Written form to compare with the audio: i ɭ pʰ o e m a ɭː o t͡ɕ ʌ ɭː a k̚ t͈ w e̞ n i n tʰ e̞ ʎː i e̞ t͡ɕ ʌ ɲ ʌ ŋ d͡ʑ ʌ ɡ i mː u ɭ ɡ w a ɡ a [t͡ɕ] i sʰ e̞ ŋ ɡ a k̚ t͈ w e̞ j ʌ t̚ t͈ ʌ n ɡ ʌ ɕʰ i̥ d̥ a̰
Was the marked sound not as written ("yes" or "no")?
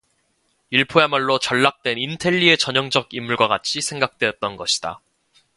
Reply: yes